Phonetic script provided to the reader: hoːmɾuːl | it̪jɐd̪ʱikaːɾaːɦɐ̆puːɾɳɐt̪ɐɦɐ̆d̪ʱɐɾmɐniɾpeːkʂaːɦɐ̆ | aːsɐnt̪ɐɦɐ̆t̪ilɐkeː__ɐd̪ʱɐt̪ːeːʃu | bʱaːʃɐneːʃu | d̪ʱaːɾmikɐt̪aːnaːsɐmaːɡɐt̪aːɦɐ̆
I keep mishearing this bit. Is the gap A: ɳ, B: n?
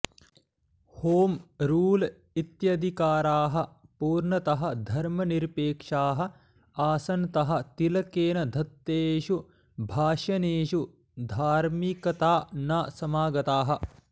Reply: B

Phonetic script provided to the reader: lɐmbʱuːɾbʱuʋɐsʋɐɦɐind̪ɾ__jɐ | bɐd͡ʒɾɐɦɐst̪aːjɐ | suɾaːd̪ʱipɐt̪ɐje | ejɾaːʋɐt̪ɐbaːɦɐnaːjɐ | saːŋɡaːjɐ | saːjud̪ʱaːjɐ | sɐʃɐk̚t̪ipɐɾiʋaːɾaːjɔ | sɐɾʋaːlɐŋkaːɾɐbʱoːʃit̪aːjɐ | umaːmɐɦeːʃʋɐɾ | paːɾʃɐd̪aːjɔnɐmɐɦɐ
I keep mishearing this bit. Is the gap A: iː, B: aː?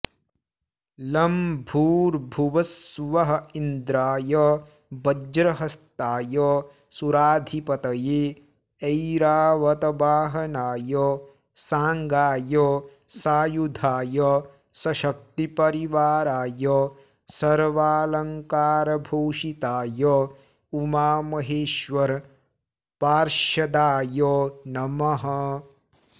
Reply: B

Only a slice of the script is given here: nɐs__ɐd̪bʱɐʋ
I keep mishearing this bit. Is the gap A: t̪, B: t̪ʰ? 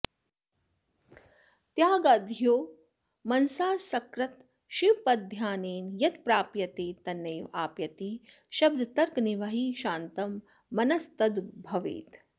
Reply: A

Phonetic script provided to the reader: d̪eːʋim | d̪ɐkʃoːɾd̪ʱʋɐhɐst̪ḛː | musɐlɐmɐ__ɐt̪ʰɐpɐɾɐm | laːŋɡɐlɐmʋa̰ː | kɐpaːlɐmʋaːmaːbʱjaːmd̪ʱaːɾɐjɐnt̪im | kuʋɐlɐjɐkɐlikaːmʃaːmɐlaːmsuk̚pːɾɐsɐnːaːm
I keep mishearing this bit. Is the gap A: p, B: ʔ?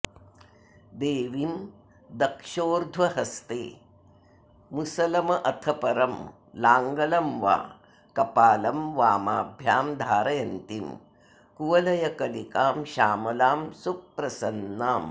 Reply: B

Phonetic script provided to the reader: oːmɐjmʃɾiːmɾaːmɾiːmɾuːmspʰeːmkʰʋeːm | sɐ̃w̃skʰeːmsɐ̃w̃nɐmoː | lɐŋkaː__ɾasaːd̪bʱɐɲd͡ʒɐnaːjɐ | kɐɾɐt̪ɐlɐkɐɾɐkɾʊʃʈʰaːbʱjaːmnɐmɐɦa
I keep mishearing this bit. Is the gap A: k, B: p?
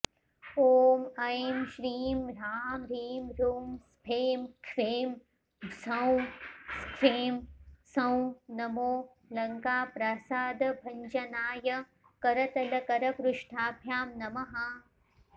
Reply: B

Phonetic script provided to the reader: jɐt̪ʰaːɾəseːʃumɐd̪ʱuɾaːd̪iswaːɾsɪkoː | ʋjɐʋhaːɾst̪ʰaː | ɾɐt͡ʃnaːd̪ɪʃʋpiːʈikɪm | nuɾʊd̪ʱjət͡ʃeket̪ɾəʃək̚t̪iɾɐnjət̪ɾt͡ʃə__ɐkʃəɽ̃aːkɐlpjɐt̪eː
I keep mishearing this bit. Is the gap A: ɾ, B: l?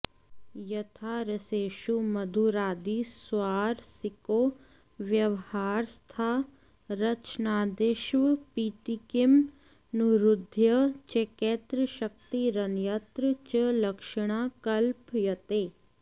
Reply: B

